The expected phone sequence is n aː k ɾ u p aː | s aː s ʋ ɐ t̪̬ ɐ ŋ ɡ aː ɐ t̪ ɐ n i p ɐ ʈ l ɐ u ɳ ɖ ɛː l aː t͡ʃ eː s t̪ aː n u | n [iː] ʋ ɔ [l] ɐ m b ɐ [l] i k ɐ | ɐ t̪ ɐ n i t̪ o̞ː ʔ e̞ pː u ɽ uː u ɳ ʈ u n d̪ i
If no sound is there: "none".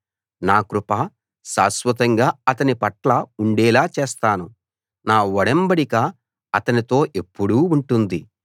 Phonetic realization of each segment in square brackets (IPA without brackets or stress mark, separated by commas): aː, ɽ, ɽ